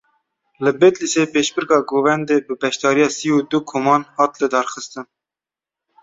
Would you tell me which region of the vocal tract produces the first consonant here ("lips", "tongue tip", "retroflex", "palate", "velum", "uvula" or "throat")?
tongue tip